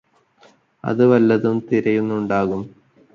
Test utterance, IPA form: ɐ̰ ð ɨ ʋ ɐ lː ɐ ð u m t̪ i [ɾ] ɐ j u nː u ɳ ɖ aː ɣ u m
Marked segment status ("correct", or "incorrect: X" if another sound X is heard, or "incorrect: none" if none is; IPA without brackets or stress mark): correct